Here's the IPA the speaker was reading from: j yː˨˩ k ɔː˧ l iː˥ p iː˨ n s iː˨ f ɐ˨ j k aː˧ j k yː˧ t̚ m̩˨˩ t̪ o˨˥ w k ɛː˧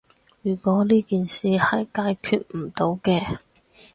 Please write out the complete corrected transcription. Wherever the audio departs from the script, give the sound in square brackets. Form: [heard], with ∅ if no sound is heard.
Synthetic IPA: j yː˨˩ k [ɔː˨˥] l iː˥ [k] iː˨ n s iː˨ [h] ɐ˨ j k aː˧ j [kʰ] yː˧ t̚ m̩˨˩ t̪ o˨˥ w k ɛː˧